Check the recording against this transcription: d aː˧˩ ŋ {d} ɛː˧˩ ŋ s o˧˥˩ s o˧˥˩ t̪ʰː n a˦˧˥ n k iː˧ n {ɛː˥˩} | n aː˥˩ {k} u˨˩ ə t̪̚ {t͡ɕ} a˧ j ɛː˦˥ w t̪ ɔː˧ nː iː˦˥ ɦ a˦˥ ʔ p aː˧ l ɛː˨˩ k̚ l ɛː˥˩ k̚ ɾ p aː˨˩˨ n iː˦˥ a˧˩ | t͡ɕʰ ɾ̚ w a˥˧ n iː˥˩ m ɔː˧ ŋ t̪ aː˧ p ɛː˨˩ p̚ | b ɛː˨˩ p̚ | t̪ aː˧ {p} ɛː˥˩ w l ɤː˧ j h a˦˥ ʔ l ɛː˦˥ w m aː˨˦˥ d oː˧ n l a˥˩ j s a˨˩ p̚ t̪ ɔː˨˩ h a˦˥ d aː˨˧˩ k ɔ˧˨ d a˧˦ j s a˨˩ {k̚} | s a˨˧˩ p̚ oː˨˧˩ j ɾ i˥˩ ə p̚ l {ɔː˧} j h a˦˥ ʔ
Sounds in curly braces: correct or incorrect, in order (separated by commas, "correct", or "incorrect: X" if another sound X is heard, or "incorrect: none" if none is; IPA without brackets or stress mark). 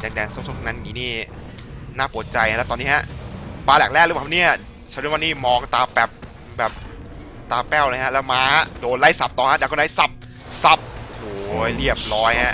correct, incorrect: iː˥˩, incorrect: p, correct, correct, incorrect: p̚, incorrect: ɔː˦˥